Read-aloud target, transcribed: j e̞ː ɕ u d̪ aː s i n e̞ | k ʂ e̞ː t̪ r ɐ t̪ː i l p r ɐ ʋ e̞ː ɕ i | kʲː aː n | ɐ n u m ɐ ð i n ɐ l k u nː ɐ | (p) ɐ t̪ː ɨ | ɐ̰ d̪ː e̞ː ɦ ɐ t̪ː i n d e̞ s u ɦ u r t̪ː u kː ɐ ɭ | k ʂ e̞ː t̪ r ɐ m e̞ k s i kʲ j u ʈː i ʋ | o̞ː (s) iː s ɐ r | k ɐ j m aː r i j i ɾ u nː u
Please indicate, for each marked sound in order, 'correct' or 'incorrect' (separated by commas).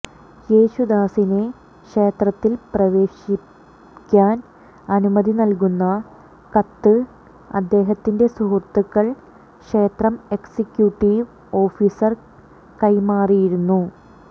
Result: incorrect, incorrect